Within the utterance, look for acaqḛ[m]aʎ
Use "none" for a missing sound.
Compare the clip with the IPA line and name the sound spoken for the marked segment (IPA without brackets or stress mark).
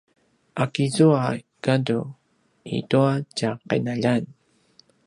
n